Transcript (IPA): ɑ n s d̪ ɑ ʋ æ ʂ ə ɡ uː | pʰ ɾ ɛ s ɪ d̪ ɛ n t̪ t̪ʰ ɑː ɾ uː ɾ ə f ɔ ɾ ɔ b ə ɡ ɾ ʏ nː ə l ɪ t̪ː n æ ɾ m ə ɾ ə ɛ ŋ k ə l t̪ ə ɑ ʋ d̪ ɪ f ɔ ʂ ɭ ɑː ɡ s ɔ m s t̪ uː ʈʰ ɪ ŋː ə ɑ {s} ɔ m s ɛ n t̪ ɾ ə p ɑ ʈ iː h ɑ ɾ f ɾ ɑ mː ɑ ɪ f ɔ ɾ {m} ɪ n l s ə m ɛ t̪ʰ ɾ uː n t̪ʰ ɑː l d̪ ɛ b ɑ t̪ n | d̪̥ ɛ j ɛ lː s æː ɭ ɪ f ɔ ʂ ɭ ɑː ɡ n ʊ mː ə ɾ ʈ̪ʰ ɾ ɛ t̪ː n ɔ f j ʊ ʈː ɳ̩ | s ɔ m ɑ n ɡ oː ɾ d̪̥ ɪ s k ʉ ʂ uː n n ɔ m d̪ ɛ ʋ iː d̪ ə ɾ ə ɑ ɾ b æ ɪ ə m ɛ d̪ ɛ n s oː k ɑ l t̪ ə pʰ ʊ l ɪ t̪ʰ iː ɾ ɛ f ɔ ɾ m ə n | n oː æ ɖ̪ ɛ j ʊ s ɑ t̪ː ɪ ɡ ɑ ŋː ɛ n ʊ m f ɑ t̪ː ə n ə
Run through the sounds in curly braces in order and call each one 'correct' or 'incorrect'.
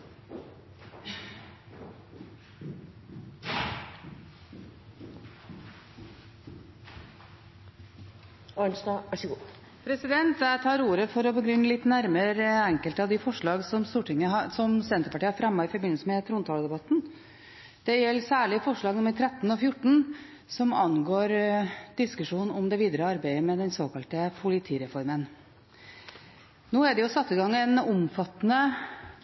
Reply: correct, incorrect: b

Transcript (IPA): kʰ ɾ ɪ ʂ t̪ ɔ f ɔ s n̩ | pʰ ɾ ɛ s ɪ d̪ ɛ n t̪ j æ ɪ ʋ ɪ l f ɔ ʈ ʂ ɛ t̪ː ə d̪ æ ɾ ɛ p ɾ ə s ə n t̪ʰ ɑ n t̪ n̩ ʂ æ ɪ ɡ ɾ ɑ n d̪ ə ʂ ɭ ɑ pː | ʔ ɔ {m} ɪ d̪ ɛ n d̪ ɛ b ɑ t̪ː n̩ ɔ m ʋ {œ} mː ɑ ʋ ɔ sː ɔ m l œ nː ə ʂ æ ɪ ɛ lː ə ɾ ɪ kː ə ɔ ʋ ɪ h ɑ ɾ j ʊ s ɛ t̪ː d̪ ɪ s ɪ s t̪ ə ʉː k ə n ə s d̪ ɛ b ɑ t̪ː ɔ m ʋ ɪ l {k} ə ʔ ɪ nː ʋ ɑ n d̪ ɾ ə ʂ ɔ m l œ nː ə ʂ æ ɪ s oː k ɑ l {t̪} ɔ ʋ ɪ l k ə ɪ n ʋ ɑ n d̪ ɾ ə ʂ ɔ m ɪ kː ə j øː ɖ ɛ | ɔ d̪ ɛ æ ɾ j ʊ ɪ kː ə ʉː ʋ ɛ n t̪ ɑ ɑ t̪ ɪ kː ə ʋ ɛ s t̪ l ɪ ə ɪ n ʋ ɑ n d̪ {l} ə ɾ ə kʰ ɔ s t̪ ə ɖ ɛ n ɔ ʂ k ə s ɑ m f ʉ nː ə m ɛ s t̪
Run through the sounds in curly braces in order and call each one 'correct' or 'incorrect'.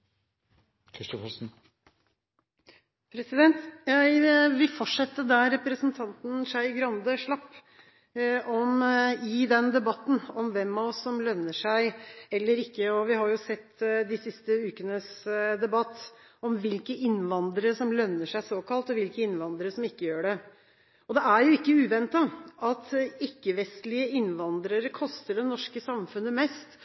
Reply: correct, incorrect: ɛ, correct, correct, incorrect: ɾ

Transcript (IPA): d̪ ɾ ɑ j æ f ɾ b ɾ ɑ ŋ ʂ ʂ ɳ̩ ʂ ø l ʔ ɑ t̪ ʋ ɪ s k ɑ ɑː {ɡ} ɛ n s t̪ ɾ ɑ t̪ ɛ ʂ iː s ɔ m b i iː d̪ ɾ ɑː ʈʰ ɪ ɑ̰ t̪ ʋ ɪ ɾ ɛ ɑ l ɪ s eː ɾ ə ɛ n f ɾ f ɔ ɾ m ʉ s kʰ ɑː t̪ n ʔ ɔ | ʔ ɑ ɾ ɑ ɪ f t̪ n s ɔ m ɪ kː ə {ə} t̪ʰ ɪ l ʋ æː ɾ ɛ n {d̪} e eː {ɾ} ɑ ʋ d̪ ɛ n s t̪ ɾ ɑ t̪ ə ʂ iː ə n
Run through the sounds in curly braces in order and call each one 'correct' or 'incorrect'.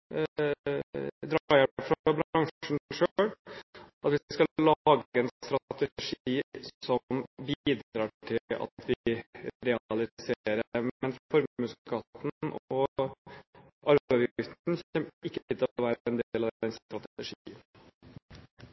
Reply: correct, correct, correct, incorrect: l

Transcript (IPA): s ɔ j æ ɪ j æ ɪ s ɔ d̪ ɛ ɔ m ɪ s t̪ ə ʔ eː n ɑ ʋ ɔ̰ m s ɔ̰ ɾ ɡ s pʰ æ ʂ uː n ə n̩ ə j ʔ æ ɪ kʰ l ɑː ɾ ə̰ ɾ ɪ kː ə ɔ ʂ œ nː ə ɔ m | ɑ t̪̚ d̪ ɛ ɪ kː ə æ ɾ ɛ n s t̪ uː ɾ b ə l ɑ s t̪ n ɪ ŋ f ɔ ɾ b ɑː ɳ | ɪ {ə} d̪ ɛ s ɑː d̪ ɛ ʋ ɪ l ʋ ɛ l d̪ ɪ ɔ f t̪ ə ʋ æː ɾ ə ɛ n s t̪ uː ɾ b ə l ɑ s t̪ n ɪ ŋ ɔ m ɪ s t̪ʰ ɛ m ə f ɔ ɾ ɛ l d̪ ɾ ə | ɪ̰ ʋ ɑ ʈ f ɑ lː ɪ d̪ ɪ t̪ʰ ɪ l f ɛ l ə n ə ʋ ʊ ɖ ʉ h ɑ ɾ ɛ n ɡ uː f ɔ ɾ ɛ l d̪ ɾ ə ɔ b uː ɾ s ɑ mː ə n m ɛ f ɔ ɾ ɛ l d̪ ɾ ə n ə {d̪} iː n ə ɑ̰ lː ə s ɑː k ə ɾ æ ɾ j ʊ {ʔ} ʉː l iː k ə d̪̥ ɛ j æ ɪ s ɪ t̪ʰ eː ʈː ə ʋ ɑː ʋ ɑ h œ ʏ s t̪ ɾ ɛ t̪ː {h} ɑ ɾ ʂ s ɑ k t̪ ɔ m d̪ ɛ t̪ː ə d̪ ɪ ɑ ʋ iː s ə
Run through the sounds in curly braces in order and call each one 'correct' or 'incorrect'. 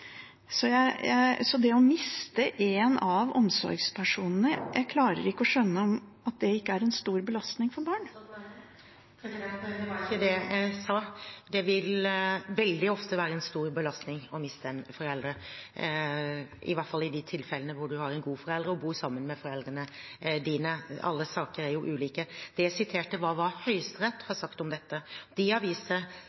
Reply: correct, correct, correct, correct

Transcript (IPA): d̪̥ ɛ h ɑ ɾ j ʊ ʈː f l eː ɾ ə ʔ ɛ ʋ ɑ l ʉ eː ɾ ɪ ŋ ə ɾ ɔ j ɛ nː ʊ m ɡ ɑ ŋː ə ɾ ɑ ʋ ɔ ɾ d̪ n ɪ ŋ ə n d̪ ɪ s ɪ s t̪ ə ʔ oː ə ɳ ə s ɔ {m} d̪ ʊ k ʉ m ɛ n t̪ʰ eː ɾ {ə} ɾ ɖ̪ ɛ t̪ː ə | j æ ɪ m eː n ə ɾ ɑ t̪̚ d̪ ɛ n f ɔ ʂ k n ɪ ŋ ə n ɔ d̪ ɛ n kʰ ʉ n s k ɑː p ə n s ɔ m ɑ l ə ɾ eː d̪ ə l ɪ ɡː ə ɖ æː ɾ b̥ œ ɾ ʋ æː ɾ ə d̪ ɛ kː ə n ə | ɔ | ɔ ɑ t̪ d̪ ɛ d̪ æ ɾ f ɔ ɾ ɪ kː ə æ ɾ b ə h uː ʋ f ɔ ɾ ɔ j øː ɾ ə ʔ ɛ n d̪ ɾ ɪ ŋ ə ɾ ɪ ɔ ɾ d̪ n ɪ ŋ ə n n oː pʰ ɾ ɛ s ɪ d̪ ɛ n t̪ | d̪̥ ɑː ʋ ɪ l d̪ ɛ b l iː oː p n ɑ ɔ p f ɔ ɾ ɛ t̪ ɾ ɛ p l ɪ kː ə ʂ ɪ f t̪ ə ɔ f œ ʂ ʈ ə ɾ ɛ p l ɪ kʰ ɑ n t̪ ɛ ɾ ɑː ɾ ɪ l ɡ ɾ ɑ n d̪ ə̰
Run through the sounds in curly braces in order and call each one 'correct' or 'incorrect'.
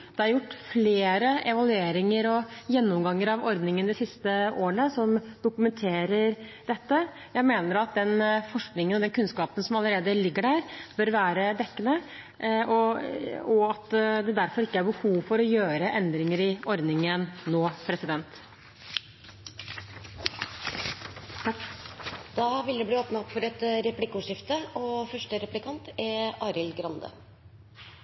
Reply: correct, correct

